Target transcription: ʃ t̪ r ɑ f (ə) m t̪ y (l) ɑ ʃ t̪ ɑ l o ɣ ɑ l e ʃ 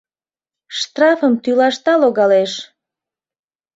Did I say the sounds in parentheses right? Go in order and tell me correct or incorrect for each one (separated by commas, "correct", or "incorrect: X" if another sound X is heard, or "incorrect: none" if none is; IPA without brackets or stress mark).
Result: correct, correct